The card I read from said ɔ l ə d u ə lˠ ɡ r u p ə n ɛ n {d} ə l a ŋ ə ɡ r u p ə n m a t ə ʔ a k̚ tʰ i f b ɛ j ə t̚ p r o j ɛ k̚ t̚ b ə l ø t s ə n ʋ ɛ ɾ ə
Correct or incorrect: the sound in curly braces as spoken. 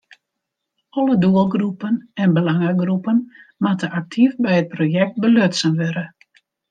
incorrect: b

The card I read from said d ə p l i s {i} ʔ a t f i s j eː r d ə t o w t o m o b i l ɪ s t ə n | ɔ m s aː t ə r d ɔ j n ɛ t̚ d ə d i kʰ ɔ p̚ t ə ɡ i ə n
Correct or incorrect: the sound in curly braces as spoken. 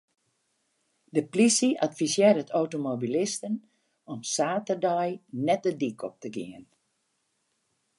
correct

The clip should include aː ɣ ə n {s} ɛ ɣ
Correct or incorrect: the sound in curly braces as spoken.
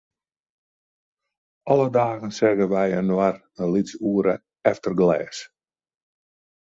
correct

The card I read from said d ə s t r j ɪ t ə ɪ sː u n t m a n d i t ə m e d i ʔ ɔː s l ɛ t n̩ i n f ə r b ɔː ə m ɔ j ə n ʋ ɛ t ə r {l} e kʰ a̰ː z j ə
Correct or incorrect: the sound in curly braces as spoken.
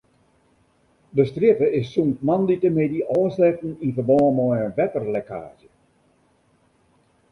correct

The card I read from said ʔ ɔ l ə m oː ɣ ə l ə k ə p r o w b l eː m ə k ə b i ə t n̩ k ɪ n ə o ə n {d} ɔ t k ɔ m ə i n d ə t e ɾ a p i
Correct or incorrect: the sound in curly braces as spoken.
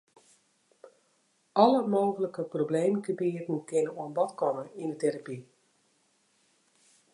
incorrect: b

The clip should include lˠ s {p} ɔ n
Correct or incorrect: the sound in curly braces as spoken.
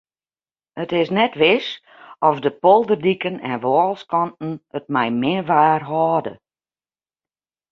incorrect: k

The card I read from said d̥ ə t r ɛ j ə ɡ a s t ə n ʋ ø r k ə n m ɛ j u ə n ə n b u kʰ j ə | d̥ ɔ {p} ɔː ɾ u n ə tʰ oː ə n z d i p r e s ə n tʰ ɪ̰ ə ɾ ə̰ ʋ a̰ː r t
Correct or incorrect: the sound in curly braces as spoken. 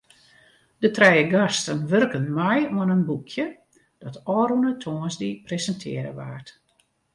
incorrect: t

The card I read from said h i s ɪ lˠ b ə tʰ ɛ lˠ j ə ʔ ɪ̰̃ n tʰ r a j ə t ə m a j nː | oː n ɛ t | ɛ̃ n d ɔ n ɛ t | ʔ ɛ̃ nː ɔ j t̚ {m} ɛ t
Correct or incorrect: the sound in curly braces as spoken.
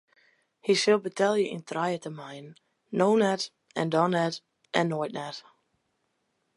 incorrect: n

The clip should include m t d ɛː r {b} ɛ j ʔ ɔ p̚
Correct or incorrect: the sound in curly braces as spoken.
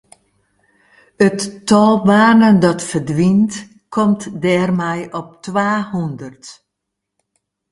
incorrect: m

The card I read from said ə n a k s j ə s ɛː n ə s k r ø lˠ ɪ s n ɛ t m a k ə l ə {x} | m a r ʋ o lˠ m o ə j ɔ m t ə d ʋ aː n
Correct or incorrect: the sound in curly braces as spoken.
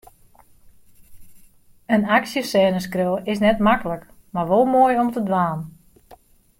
incorrect: k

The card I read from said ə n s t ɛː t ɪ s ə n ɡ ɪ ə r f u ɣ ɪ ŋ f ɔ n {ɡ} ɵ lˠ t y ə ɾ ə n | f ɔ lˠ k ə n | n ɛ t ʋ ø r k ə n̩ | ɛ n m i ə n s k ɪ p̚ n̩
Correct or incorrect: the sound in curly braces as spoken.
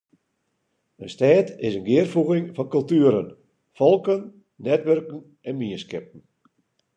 incorrect: k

